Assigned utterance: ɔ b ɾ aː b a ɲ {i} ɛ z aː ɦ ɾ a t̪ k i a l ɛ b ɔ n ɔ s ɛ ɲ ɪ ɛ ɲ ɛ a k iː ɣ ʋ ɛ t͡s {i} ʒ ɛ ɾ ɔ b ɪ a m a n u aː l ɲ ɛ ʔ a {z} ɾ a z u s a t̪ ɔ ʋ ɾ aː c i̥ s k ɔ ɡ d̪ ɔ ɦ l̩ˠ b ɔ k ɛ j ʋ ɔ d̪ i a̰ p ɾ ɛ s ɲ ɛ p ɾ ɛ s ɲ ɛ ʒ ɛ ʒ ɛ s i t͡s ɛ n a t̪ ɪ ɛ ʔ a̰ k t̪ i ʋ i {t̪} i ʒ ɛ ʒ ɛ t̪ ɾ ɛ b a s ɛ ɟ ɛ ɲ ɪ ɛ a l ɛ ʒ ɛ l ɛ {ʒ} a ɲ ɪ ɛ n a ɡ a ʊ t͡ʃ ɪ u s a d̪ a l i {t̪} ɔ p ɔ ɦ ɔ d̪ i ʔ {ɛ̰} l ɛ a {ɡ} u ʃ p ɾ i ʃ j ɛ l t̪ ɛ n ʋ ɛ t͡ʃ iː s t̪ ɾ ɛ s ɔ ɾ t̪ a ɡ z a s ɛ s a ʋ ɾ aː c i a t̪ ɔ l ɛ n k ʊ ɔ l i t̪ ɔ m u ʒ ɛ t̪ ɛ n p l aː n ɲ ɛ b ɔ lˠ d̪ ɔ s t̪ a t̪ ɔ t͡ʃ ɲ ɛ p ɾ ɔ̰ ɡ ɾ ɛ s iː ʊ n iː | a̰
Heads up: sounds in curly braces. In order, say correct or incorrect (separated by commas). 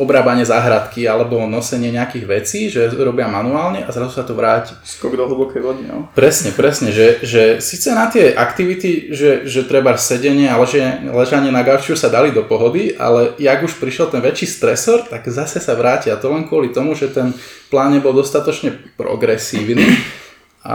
incorrect, incorrect, correct, correct, correct, incorrect, incorrect, correct